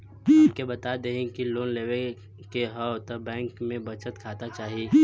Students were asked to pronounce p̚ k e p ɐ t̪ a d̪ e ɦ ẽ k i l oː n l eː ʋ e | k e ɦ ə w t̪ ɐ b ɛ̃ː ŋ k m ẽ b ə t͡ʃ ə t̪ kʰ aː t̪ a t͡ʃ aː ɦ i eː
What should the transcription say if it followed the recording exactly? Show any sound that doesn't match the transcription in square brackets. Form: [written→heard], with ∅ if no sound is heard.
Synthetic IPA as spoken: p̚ k e [p→b] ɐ t̪ a d̪ e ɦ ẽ k i l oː n l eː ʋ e | k e ɦ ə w t̪ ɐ b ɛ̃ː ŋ k m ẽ b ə t͡ʃ ə t̪ kʰ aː t̪ a t͡ʃ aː ɦ i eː